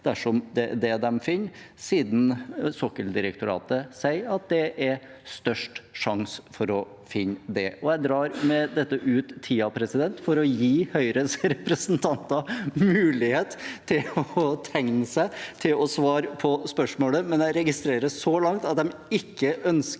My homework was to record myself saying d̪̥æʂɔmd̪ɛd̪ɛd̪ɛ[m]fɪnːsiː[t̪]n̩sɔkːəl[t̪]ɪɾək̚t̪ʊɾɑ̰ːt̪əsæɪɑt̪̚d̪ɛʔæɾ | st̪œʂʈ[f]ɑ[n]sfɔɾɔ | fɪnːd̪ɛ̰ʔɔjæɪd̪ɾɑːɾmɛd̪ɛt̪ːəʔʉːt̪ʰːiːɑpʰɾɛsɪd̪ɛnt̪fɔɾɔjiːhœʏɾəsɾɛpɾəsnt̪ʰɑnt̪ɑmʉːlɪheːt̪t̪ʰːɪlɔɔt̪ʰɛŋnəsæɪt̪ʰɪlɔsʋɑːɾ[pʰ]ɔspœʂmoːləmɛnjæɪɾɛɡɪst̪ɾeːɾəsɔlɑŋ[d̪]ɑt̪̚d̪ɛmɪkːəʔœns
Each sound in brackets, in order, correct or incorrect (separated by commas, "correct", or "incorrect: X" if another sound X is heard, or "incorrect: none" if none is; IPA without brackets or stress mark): correct, incorrect: d̪, incorrect: d̪, incorrect: ʂ, incorrect: ŋ, correct, incorrect: t̪